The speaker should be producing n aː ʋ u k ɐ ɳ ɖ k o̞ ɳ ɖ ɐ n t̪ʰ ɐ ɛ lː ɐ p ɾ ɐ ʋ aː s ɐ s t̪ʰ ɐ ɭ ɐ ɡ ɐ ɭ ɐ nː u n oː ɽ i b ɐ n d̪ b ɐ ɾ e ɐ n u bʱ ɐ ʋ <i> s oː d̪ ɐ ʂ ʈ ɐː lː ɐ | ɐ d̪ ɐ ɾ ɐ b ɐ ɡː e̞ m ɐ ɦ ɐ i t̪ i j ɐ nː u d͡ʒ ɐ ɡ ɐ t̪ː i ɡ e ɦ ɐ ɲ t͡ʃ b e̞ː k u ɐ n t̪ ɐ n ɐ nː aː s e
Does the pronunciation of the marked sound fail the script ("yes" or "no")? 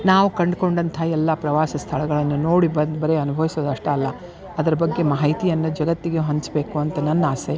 no